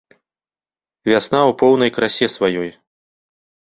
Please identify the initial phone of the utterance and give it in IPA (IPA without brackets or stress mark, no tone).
vʲ